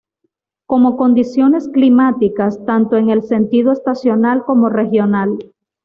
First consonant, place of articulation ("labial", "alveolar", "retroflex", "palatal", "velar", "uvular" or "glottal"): velar